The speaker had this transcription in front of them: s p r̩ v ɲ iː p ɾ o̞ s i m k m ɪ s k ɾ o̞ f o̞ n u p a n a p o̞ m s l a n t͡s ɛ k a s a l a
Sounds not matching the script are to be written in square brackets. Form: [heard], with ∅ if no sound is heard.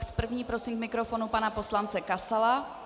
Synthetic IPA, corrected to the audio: s p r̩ v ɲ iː p ɾ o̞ s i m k m ɪ [∅] k ɾ o̞ f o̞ n u p a n a p o̞ [∅] s l a n t͡s ɛ k a s a l a